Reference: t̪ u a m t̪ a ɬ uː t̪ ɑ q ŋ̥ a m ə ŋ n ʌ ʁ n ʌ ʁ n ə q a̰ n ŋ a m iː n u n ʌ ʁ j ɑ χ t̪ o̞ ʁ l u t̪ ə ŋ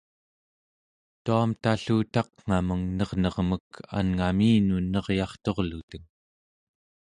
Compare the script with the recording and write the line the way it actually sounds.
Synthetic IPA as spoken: t̪ u a m t̪ a ɬ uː t̪ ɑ q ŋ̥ a m ə ŋ n ʌ ʁ n ʌ ʁ m ə k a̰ n ŋ a m iː n u n ʌ ʁ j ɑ χ t̪ o̞ ʁ l u t̪ ə ŋ